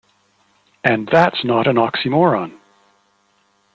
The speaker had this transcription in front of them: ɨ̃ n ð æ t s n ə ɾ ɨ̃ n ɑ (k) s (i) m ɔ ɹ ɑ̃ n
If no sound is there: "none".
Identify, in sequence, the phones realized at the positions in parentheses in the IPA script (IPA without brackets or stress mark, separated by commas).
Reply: k, i